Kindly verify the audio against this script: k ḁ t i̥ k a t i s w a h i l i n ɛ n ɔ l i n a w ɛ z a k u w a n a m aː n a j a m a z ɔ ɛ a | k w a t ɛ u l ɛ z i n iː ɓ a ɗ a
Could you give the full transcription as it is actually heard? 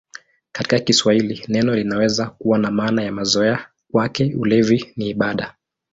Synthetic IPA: k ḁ t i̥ k a k i s w a h i l i n ɛ n ɔ l i n a w ɛ z a k u w a n a m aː n a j a m a z ɔ ɛ a | k w a k ɛ u l ɛ v i n iː ɓ a ɗ a